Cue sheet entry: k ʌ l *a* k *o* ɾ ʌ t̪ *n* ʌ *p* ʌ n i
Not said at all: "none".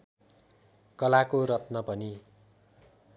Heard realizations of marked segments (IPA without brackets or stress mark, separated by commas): a, o, n, p